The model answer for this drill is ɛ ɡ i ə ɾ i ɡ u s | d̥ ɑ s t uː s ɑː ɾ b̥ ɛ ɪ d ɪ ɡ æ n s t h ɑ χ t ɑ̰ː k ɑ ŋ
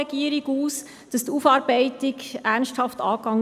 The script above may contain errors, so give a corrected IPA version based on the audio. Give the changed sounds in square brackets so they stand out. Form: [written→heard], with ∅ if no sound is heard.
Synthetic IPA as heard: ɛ ɡ i ə ɾ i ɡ [u→uː] s | d̥ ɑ s t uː [s→f] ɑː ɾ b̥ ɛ ɪ [d→t] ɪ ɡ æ n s t h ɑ [χ→f] t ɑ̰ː k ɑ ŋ